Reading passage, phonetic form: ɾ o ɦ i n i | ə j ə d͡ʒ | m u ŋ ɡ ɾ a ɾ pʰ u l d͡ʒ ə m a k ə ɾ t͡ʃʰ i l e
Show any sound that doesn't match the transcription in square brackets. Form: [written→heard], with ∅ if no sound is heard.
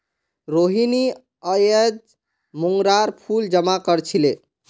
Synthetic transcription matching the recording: ɾ o ɦ i n i | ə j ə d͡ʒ | m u ŋ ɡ ɾ a ɾ pʰ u l d͡ʒ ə m a k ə ɾ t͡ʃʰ i l e

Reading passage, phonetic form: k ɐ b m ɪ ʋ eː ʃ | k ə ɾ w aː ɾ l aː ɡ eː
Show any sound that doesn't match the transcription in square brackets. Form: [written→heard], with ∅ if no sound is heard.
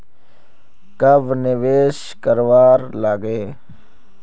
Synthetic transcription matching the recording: k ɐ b [m→n] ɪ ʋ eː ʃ | k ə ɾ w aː ɾ l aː ɡ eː

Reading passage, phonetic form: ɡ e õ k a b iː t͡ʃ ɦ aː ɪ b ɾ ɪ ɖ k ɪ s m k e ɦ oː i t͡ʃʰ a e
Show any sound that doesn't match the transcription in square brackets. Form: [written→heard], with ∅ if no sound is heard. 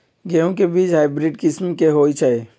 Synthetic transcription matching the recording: ɡ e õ k [a→e] b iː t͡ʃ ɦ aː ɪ b ɾ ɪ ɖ k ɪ s m k e ɦ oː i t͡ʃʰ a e

